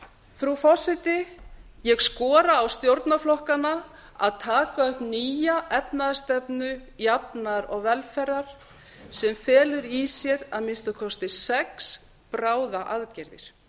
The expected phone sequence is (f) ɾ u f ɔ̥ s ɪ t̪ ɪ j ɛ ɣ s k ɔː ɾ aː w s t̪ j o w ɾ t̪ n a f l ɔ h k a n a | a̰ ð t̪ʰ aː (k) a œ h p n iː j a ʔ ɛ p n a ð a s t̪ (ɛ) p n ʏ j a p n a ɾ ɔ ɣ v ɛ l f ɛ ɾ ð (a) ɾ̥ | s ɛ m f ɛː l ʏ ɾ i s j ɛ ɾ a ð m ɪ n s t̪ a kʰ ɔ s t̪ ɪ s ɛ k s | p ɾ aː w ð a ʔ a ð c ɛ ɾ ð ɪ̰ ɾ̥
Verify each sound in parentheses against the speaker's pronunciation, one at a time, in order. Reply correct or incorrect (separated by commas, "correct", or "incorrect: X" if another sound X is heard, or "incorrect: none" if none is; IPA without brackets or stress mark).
incorrect: θ, correct, correct, correct